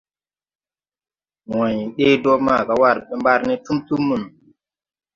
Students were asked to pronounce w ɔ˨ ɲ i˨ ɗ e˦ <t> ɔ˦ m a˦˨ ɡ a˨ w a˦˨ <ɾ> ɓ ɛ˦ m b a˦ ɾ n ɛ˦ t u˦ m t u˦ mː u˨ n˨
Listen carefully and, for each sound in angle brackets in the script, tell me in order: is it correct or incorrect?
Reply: incorrect: d, correct

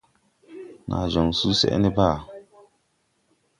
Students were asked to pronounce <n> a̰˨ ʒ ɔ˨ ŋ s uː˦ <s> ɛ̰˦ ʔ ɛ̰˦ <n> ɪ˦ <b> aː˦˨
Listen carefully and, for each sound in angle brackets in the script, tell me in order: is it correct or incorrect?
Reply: correct, correct, correct, correct

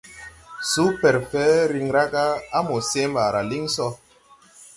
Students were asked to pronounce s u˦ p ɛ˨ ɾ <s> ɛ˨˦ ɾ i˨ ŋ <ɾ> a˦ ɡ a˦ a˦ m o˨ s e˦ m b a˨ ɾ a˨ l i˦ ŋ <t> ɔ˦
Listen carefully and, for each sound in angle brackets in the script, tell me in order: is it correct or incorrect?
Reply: incorrect: f, correct, incorrect: s

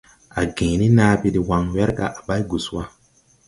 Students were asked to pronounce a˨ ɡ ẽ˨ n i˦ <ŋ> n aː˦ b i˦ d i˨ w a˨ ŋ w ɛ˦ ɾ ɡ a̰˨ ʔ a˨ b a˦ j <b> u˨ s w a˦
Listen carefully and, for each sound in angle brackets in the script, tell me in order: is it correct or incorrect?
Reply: incorrect: none, incorrect: ɡ

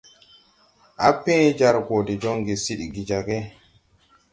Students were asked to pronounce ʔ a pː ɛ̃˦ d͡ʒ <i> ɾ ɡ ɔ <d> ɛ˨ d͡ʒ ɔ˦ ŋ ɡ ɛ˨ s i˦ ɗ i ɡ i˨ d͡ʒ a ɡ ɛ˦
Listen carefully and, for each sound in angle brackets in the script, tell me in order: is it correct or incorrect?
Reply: incorrect: a, correct

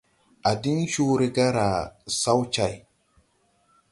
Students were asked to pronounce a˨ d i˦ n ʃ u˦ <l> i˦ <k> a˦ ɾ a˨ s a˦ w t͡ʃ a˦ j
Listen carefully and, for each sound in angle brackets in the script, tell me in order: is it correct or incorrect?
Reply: incorrect: ɾ, incorrect: ɡ

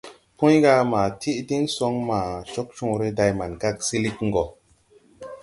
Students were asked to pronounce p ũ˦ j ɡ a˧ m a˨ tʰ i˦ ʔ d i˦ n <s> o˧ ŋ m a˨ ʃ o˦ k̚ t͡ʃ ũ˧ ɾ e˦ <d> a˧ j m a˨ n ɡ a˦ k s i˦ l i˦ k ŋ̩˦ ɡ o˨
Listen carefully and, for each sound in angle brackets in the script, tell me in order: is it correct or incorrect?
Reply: correct, correct

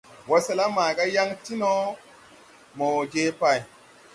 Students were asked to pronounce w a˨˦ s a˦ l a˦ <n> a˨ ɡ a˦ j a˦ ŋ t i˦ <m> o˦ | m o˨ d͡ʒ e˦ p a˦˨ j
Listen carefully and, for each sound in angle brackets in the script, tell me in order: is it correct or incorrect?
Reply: incorrect: m, incorrect: n

